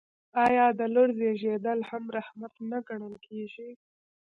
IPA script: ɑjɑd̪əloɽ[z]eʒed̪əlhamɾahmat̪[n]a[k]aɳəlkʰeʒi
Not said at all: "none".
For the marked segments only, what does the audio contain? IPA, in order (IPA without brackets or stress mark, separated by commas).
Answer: z, n, ɡ